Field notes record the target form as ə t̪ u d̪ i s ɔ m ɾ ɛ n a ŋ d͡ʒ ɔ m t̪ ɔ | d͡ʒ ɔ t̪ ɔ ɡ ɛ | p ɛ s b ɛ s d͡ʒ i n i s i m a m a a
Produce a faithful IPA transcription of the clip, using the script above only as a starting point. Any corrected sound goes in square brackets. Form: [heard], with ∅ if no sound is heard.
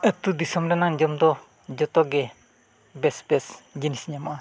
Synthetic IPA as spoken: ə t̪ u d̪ i s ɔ m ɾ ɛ n a ŋ d͡ʒ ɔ m [d̪] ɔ | d͡ʒ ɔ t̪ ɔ ɡ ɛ | [b] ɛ s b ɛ s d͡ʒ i n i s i [ɲ] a m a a